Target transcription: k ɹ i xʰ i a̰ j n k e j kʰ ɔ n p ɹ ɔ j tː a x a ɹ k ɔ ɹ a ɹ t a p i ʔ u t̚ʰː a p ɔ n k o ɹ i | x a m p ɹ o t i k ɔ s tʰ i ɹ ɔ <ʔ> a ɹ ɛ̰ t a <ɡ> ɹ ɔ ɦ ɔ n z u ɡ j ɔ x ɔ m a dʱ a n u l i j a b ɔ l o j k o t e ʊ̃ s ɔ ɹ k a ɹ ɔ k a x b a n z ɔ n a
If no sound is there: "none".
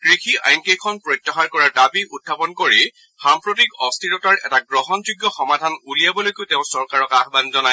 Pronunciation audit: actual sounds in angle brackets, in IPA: t, ɡ

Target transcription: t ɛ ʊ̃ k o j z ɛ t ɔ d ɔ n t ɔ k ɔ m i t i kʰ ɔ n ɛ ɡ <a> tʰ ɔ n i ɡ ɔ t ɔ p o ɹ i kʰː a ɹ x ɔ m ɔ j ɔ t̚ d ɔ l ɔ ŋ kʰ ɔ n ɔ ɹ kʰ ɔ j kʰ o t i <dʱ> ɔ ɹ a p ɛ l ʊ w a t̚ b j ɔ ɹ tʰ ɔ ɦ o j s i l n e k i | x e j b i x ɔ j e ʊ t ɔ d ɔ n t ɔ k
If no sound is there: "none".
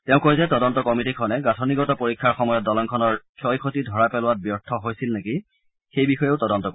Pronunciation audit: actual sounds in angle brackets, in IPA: a, dʱ

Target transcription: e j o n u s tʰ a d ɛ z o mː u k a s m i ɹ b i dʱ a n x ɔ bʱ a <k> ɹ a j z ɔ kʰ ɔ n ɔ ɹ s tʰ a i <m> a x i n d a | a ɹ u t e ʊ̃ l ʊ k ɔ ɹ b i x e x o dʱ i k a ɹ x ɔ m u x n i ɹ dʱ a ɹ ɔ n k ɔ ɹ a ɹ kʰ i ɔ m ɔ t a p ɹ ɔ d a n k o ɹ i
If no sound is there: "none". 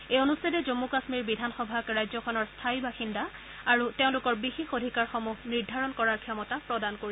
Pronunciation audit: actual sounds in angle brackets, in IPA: k, b

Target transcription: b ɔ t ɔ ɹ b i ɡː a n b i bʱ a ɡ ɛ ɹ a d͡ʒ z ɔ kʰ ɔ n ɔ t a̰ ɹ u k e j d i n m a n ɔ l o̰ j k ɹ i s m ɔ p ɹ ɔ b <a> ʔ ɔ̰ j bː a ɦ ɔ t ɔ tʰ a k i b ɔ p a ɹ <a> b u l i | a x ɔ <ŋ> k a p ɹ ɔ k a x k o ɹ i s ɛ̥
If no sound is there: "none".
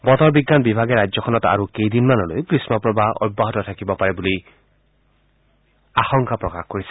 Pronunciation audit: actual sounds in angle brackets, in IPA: a, ɛ, ŋ

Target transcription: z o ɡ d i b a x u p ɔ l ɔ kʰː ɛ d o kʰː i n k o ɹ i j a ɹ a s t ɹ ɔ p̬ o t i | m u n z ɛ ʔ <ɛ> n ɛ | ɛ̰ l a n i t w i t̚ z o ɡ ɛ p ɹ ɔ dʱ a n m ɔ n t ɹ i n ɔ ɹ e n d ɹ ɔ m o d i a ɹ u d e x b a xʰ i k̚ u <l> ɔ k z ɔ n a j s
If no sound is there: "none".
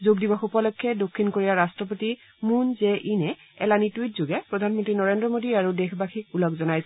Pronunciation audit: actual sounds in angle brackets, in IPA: i, l

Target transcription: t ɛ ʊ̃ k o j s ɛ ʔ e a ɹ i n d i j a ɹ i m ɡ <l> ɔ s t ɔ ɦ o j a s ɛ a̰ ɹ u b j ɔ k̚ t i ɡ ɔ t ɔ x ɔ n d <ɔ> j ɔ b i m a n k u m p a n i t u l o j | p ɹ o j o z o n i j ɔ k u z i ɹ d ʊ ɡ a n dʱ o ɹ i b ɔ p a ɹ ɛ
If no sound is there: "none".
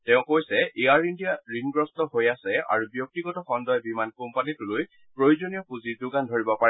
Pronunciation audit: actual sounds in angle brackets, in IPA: ɹ, ɔ

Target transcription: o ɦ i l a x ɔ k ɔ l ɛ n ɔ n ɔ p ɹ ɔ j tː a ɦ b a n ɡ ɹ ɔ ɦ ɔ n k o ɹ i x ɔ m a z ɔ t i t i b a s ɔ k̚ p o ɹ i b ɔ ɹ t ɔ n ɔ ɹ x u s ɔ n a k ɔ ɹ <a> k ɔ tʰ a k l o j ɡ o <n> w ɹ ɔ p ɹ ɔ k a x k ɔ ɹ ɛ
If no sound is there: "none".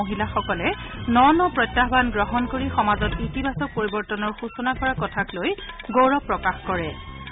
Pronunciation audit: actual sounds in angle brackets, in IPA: a, none

